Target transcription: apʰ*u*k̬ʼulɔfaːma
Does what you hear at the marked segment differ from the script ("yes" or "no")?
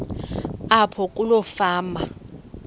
yes